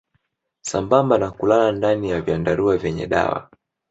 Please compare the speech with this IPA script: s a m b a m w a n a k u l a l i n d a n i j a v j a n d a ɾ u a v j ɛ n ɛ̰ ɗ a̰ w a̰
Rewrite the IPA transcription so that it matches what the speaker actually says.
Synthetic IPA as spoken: s a m b a m b a n a k u l a l a n d a n i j a v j a n d a ɾ u a v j ɛ ɲ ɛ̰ ɗ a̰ w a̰